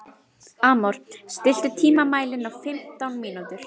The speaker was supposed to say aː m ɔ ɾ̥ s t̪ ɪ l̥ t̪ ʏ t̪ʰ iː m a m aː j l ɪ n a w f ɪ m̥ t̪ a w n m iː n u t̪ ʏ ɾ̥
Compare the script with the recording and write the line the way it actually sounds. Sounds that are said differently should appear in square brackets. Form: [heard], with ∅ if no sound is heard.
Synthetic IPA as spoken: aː m ɔ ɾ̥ s t̪ ɪ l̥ t̪ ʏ t̪ʰ iː m a m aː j l ɪ n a w f ɪ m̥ t̪ a w n m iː n u t̪ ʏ ɾ̥